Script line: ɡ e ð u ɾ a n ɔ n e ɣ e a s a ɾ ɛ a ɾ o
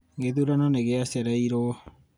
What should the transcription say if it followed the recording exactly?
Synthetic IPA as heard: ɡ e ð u ɾ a n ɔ n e ɣ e a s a ɾ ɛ i ɾ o